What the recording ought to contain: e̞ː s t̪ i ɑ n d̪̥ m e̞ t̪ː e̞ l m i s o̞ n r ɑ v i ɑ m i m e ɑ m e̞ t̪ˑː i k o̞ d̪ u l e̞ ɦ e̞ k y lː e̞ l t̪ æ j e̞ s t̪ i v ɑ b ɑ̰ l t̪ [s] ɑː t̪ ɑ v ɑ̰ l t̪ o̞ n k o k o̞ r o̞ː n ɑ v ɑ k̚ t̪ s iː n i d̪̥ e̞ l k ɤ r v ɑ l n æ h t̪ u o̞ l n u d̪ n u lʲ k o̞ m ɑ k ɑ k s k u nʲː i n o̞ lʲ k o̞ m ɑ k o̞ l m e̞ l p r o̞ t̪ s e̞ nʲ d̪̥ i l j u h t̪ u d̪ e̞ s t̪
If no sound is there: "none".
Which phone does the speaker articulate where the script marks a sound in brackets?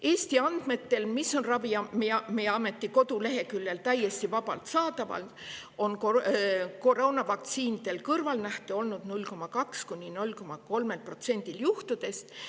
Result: s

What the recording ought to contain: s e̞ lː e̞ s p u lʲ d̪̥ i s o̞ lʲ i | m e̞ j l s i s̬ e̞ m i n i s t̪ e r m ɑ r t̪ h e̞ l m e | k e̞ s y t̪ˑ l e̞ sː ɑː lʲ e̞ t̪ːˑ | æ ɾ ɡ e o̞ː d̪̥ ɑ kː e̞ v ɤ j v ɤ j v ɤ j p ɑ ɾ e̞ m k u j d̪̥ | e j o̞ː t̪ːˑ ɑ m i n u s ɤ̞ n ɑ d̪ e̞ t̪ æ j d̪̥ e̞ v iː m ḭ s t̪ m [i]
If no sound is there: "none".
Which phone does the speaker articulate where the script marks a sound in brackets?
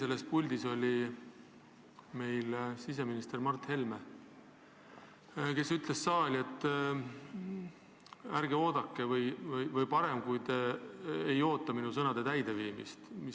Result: i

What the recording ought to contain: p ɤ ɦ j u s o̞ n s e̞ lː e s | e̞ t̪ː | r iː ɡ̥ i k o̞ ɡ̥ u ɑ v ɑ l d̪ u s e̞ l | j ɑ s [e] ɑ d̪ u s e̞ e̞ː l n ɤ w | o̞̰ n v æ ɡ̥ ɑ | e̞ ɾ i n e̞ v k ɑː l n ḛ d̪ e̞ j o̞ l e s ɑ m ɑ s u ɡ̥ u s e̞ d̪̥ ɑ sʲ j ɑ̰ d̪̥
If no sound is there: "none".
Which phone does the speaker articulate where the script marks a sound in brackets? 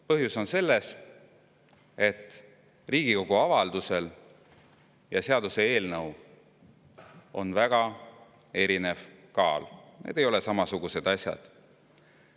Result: e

